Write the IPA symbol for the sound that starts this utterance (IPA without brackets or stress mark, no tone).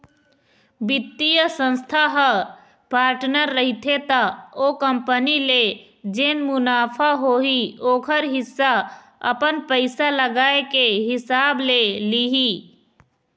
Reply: b